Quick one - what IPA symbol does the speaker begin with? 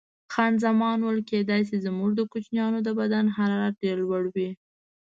x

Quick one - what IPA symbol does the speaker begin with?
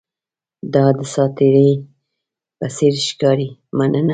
d̪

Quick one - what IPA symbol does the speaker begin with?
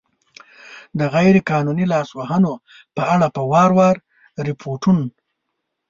d̪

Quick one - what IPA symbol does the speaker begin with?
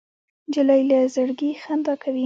d͡ʒ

